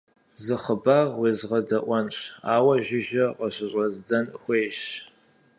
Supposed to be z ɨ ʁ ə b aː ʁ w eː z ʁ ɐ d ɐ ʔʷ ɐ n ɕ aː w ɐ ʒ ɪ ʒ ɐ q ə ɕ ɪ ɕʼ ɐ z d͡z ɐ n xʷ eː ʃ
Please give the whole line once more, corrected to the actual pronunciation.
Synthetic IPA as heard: z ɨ χ ə b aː ʁ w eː z ʁ ɐ d ɐ ʔʷ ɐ n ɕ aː w ɐ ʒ ɪ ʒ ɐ q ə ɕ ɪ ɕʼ ɐ z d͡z ɐ n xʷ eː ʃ